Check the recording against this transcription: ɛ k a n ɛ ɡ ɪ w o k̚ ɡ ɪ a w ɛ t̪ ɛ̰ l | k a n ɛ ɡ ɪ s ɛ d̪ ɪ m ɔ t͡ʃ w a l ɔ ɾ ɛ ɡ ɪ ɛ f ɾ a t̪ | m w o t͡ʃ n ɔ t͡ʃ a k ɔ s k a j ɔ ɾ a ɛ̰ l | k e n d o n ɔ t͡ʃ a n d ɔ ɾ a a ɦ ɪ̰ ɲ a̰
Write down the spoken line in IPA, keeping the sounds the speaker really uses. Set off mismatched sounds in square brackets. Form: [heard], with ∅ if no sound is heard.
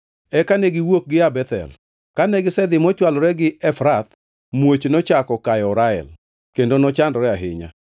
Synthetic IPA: ɛ k a n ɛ ɡ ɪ w o k̚ ɡ ɪ a [b] ɛ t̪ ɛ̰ l | k a n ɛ ɡ ɪ s ɛ d̪ ɪ m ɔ t͡ʃ w a l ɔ ɾ ɛ ɡ ɪ ɛ f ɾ a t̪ | m w o t͡ʃ n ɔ t͡ʃ a k ɔ [∅] k a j ɔ ɾ a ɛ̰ l | k e n d o n ɔ t͡ʃ a n d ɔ ɾ [ɛ] a ɦ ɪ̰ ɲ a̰